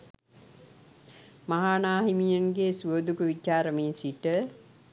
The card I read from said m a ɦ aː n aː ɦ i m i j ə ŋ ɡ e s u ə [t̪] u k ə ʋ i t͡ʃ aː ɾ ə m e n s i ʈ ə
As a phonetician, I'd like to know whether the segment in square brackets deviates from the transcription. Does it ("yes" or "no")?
yes